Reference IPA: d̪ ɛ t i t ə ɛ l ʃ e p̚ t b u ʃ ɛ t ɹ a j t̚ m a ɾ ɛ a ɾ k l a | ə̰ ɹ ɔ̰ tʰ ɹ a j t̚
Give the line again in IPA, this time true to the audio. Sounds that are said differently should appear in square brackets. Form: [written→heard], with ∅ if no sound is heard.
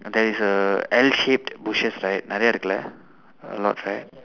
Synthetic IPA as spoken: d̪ ɛ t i [t→s] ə ɛ l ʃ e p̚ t b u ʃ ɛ [t→s] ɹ a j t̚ [m→n] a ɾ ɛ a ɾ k l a | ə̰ [ɹ→l] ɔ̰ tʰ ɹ a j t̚